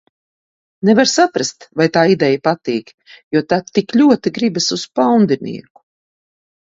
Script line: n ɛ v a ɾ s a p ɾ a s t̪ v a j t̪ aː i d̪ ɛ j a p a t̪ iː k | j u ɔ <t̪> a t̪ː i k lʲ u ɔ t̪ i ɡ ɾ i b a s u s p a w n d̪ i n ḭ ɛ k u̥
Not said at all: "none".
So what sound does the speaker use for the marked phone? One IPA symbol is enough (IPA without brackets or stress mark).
t̪